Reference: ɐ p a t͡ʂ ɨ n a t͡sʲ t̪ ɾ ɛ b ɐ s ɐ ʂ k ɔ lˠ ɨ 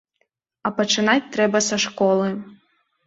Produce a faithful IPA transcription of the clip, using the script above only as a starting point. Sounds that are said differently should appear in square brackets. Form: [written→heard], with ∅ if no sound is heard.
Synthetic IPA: ɐ p [a→ɐ] t͡ʂ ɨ n a t͡sʲ t̪ ɾ ɛ b ɐ s ɐ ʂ k ɔ lˠ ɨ

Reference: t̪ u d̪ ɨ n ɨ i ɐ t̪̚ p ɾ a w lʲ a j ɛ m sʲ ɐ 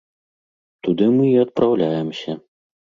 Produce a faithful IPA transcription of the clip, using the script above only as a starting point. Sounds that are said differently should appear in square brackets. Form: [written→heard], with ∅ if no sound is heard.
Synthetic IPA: t̪ u d̪ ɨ [n→m] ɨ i ɐ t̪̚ p ɾ a w lʲ a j ɛ m sʲ ɐ

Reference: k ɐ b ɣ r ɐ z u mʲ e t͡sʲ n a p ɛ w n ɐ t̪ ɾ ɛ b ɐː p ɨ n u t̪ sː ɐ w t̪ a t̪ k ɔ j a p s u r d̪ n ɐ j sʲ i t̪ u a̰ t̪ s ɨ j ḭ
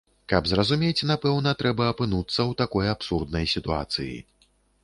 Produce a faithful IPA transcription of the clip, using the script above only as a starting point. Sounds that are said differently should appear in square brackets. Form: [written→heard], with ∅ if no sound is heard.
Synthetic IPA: k ɐ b [ɣ→z] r ɐ z u mʲ e t͡sʲ n a p ɛ w n ɐ t̪ ɾ ɛ b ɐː p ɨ n u t̪ sː ɐ w t̪ a [t̪→∅] k ɔ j a p s u r d̪ n ɐ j sʲ i t̪ u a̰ t̪ s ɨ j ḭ

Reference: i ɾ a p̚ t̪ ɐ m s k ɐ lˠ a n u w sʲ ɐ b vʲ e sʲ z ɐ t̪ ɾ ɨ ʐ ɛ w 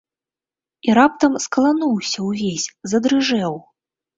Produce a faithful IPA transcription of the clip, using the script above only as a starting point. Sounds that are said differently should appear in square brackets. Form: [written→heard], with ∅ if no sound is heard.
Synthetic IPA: i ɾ a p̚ t̪ ɐ m s k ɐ lˠ a n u w sʲ ɐ [b→w] vʲ e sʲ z ɐ [t̪→d̪] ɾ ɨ ʐ ɛ w

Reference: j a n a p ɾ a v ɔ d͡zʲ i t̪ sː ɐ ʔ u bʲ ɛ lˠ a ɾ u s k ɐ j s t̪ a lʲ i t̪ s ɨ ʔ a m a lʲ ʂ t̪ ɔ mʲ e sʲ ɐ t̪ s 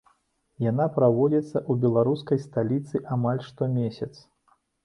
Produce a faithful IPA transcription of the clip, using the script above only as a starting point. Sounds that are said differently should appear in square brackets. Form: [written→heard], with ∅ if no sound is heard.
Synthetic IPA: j a n a p ɾ a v ɔ d͡zʲ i t̪ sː ɐ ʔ u bʲ ɛ lˠ a ɾ u s k ɐ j s t̪ a lʲ i t̪ s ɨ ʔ a m a lʲ ʂ t̪ ɔ mʲ e sʲ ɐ t̪ s

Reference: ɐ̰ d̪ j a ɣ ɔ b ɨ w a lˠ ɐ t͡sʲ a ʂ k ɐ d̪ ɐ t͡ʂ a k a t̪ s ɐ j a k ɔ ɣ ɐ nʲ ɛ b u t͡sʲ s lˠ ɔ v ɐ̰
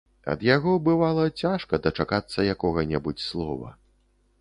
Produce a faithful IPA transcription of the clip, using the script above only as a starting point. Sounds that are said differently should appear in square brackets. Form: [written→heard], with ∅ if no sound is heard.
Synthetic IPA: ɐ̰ d̪ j a ɣ ɔ b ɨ [w→v] a lˠ ɐ t͡sʲ a ʂ k ɐ d̪ ɐ t͡ʂ a k a t̪ [s→sː] ɐ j a k ɔ ɣ ɐ nʲ ɛ b u t͡sʲ s lˠ ɔ v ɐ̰

